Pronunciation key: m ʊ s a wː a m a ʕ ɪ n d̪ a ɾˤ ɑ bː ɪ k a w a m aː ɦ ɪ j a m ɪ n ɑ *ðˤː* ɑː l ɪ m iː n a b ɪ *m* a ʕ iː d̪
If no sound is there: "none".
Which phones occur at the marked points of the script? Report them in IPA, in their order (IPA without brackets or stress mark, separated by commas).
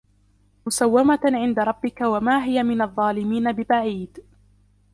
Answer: ðˤː, b